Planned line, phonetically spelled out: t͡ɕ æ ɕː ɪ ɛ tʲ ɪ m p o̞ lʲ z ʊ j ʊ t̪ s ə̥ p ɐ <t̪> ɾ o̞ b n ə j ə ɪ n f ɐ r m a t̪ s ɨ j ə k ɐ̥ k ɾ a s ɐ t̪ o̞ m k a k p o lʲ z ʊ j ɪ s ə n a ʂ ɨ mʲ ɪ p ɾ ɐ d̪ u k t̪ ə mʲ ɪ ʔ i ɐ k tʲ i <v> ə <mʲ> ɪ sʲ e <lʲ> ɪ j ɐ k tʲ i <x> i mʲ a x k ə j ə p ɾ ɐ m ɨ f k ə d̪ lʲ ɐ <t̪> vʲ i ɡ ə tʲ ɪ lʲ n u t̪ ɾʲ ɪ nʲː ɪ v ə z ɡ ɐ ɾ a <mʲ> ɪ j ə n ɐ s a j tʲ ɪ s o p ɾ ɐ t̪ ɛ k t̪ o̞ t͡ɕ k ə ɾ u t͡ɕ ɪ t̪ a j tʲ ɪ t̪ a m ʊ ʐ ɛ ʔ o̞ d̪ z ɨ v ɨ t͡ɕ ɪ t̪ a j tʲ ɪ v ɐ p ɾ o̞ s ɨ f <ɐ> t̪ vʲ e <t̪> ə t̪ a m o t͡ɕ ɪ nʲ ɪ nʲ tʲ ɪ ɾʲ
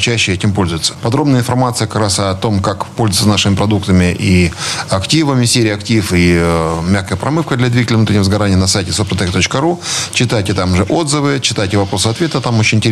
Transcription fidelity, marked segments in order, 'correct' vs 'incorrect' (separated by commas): incorrect, correct, correct, incorrect, incorrect, incorrect, incorrect, correct, correct